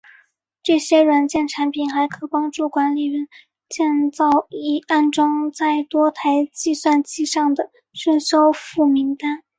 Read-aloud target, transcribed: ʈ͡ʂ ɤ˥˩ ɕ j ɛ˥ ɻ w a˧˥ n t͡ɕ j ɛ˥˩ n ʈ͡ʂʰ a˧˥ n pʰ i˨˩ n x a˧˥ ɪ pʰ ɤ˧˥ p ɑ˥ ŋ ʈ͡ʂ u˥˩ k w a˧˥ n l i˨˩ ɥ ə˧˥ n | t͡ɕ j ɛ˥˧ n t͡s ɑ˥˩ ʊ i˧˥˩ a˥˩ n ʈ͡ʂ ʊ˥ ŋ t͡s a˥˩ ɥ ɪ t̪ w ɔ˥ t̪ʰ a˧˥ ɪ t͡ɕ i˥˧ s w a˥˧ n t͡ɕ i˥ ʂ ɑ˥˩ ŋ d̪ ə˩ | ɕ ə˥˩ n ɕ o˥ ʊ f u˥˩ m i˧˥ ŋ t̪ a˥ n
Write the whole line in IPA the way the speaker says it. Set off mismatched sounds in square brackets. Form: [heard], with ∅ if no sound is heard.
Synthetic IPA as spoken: ʈ͡ʂ ɤ˥˩ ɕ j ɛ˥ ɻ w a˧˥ n t͡ɕ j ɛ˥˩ n ʈ͡ʂʰ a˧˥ n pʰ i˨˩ n x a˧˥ ɪ [kʰ] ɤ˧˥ p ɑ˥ ŋ ʈ͡ʂ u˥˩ k w a˧˥ n l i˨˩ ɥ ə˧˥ n | t͡ɕ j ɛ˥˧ n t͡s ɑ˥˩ ʊ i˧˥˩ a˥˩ n ʈ͡ʂ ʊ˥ ŋ t͡s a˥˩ [∅] ɪ t̪ w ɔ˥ t̪ʰ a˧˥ ɪ t͡ɕ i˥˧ s w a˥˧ n t͡ɕ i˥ ʂ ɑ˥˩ ŋ d̪ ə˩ | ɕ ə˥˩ n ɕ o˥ ʊ f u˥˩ m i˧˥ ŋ t̪ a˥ n